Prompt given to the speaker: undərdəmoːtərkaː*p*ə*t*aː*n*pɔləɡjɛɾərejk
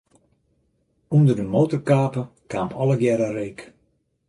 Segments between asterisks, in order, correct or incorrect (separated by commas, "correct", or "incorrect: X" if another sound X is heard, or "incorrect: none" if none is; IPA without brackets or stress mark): correct, incorrect: k, incorrect: m